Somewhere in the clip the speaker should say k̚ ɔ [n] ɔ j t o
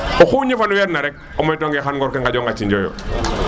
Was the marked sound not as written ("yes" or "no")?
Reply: yes